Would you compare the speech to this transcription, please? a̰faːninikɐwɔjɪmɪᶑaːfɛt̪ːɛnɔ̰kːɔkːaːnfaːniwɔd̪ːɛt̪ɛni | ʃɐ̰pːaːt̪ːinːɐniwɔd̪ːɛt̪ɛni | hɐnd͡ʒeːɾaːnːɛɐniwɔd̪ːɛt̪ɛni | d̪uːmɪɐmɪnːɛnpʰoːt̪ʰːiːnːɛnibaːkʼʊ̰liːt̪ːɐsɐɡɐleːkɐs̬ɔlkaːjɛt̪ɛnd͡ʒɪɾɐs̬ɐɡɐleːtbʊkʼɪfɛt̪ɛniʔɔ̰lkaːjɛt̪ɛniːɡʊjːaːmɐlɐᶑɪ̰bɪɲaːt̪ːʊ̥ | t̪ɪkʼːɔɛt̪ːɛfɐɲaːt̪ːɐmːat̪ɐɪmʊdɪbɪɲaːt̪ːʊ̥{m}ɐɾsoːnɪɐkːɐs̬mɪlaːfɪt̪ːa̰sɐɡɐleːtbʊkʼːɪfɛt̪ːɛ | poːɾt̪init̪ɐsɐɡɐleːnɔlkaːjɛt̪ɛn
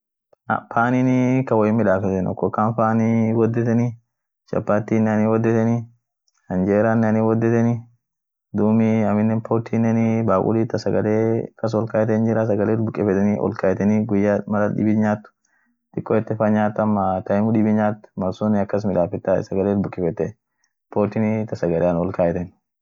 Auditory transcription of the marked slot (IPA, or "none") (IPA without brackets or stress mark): m